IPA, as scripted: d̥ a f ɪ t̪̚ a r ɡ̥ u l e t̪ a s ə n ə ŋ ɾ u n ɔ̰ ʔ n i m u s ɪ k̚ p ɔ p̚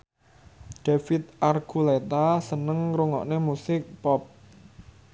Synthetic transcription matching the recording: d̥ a f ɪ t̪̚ a r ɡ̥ u l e t̪ a s ə n ə ŋ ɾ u ŋ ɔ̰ ʔ n e m u s ɪ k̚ p ɔ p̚